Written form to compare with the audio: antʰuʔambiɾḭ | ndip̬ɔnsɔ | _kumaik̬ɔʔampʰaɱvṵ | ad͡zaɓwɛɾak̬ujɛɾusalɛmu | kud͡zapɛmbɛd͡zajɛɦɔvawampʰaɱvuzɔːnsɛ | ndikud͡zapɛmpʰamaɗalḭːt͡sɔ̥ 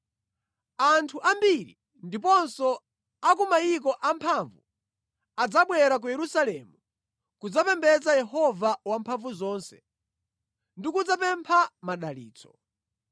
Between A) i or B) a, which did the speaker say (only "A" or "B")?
B